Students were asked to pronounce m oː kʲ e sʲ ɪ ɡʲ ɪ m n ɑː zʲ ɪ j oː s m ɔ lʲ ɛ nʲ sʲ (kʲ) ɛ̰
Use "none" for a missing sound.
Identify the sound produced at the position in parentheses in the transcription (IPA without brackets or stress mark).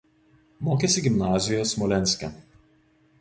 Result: kʲ